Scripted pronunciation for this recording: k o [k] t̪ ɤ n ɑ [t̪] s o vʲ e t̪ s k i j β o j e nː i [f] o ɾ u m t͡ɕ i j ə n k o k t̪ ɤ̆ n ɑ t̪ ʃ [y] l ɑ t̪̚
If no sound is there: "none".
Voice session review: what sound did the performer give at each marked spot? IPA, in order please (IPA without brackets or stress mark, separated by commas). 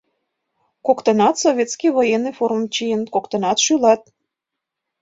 k, t̪, f, y